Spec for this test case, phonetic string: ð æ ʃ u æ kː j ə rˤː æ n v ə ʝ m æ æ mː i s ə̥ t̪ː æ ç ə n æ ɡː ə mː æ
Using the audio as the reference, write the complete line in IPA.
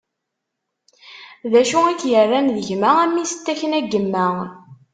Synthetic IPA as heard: ð æ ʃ u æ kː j ə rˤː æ n ð ə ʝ m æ æ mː i s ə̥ t̪ː æ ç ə n æ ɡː ə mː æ